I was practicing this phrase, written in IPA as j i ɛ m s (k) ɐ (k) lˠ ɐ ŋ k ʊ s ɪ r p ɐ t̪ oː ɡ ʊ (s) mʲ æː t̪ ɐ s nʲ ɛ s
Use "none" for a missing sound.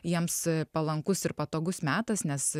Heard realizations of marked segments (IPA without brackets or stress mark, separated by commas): p, none, s